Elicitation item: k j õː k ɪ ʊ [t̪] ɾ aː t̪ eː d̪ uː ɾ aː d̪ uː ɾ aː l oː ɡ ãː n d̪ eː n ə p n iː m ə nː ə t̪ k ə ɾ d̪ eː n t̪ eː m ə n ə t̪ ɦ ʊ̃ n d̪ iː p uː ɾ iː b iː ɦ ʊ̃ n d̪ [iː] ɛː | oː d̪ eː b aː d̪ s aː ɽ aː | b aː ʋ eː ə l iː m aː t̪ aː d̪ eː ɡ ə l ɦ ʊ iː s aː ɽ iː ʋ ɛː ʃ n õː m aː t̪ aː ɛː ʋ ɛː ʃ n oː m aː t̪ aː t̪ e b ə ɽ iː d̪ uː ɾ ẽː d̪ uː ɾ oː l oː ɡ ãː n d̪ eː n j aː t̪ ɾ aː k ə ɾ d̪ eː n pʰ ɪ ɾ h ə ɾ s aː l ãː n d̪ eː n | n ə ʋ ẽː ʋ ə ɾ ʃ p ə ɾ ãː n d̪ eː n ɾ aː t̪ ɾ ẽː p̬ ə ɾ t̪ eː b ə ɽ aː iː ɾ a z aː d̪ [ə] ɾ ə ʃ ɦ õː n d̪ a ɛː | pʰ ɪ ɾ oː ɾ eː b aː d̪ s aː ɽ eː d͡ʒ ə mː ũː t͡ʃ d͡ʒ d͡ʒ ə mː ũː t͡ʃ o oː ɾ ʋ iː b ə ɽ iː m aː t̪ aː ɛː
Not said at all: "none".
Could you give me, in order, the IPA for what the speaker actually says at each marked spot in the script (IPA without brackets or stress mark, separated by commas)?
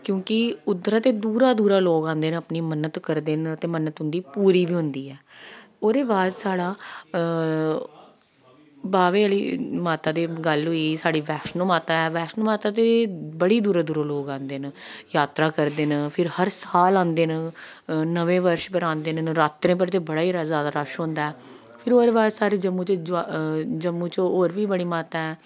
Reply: d̪, iː, a